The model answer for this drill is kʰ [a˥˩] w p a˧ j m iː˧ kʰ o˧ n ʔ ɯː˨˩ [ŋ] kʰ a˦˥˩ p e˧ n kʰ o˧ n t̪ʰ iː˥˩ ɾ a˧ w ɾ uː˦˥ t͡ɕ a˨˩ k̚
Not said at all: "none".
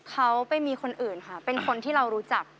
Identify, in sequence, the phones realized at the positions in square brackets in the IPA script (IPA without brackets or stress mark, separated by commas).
a˦˥, n